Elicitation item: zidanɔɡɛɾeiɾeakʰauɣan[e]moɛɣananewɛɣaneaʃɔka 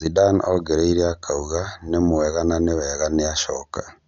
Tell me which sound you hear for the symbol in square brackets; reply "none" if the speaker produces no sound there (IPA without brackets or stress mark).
e